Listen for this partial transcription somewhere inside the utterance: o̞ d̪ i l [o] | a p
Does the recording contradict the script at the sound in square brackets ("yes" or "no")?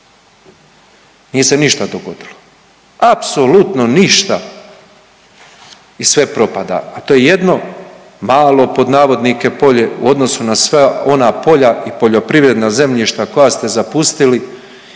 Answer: no